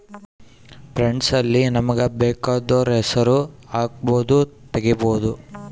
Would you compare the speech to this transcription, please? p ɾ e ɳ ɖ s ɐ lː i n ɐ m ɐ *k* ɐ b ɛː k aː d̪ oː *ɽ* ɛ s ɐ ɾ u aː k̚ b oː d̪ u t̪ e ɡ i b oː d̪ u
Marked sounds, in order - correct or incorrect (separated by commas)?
incorrect, incorrect